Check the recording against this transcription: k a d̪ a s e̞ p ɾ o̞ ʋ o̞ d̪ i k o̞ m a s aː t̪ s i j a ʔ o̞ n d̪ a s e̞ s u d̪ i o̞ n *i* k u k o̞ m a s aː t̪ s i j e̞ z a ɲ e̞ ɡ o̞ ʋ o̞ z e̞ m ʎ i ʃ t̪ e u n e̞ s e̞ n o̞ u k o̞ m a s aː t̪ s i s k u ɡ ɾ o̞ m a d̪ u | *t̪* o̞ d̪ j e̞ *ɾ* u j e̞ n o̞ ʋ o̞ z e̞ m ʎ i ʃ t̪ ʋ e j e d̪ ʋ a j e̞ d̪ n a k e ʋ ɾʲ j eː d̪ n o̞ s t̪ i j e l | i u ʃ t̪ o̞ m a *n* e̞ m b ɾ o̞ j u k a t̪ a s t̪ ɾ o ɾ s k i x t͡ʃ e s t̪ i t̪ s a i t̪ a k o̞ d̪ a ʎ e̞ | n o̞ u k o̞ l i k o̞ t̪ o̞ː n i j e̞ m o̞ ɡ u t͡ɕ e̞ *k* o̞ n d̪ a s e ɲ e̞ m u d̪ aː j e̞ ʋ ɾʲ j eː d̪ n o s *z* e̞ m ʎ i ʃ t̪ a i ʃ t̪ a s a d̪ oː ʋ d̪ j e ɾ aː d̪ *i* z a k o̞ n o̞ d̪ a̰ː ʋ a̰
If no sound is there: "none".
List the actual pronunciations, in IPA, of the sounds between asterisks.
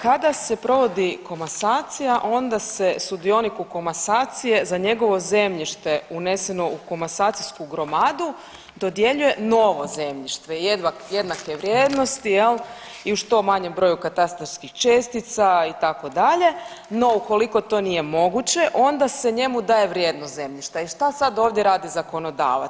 i, d̪, ʎ, ɲ, ʔ, z, i

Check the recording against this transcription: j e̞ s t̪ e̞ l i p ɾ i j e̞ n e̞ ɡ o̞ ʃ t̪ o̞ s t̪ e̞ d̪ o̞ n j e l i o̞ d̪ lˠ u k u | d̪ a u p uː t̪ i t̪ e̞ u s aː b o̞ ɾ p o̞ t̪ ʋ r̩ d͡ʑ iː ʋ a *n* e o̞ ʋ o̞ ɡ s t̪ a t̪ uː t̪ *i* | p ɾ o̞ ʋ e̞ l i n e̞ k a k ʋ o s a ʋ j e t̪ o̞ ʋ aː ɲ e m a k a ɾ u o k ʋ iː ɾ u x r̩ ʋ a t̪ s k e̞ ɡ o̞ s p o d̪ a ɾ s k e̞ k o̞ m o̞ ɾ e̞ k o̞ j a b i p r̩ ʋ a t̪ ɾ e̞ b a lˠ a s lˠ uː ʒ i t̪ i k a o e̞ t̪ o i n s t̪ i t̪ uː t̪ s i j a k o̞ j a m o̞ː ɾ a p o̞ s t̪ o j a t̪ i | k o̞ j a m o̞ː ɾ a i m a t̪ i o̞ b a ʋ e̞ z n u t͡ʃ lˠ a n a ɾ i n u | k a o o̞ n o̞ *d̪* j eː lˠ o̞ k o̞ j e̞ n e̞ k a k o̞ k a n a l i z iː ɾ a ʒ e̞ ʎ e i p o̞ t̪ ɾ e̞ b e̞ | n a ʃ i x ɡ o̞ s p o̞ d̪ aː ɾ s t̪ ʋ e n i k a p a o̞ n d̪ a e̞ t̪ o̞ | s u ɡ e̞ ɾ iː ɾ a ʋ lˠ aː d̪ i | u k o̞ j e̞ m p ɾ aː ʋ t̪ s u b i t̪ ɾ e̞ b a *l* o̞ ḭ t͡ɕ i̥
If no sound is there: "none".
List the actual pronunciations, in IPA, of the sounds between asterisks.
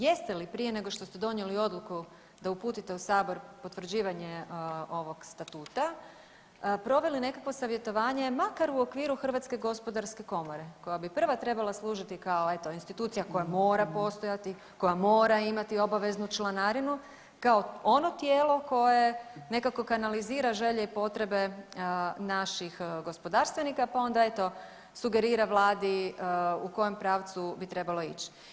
ɲ, a, t̪, l

